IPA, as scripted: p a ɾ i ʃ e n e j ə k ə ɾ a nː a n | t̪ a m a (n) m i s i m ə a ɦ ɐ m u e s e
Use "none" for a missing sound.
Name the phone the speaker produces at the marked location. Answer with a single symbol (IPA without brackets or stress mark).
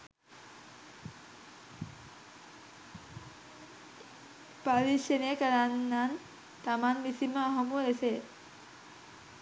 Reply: n